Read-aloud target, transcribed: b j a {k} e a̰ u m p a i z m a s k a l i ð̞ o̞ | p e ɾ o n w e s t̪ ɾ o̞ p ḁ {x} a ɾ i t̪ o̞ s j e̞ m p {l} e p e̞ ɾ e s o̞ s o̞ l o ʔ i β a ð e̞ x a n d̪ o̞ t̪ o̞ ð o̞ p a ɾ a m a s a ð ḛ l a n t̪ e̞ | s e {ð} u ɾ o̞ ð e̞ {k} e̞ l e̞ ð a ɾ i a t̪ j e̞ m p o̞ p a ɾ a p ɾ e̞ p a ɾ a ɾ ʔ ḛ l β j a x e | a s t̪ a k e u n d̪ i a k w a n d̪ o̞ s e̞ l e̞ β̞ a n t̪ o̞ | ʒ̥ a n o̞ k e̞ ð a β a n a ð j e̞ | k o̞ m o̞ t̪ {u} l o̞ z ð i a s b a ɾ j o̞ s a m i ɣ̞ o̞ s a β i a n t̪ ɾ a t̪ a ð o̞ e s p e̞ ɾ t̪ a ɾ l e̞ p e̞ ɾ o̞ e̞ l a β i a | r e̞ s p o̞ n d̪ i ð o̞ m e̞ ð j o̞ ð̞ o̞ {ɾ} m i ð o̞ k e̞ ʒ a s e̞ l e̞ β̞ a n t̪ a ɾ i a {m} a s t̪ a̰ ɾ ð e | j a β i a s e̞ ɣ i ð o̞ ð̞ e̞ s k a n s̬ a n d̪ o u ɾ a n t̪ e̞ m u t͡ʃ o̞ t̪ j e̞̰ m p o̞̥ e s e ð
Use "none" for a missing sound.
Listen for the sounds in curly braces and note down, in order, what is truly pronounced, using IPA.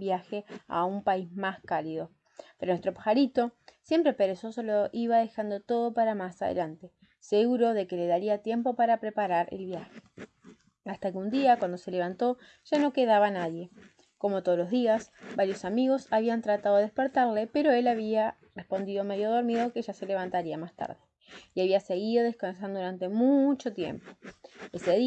x, x, ɾ, ɣ, k, o, ɾ, m

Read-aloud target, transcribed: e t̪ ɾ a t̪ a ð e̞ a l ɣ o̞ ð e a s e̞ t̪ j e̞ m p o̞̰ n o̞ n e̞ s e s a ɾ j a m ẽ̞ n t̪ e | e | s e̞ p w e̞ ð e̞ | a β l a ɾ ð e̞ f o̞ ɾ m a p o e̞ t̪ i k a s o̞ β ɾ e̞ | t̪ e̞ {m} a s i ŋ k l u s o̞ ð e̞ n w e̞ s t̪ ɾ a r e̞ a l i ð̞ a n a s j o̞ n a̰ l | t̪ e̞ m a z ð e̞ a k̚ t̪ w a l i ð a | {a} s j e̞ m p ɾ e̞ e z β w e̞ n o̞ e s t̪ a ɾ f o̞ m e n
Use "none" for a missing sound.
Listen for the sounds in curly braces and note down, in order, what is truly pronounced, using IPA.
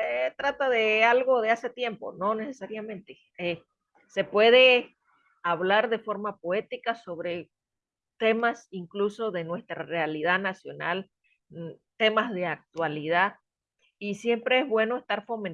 m, i

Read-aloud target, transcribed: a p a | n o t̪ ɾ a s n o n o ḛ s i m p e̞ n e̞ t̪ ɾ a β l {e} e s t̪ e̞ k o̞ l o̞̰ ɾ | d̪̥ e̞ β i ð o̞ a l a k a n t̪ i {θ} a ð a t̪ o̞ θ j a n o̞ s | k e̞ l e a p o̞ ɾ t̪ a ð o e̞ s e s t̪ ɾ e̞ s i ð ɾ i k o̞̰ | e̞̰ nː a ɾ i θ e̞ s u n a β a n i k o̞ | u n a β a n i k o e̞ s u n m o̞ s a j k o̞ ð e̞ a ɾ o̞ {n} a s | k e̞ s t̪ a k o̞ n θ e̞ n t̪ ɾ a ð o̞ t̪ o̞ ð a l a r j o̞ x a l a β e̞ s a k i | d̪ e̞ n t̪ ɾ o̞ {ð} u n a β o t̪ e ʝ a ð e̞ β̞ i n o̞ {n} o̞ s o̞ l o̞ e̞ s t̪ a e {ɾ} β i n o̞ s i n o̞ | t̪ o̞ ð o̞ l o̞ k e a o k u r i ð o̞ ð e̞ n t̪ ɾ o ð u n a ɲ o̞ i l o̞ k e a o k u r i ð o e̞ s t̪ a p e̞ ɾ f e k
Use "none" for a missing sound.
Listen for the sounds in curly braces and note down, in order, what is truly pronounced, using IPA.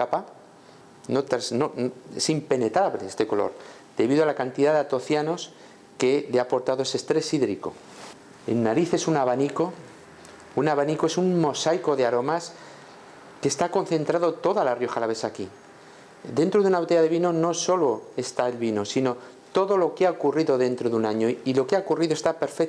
e, ð, m, ð, n, l

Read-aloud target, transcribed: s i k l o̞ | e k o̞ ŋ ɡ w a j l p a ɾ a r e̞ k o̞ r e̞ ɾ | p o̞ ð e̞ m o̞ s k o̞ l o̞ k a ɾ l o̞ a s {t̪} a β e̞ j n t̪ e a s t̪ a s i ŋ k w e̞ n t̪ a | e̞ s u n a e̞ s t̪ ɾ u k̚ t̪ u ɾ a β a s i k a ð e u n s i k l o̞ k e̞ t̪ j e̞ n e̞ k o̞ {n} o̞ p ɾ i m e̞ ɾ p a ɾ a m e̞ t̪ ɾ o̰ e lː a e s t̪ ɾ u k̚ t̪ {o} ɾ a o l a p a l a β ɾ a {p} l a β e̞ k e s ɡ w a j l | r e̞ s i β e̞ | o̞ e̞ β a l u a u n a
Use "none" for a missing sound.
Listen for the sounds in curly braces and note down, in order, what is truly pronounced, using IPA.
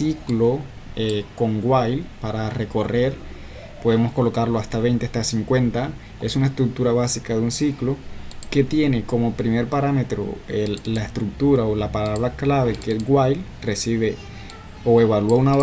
t̪, m, u, k

